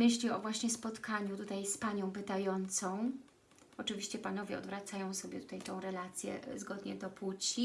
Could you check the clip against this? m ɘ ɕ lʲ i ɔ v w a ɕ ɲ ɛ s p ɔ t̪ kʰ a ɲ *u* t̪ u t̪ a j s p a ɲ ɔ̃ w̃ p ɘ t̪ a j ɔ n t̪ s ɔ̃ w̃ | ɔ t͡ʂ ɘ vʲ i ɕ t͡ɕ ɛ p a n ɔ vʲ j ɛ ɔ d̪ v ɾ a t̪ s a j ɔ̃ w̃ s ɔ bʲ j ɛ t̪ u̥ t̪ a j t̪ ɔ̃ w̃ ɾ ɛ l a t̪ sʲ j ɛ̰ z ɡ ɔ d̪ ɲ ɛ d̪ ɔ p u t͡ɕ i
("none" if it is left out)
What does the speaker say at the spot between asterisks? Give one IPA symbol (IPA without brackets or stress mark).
u